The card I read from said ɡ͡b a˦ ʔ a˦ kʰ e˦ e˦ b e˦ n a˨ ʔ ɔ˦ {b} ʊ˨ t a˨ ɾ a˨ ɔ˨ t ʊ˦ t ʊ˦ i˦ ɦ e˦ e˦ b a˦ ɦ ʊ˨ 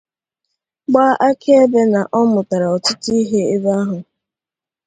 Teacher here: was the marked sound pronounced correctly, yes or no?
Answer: no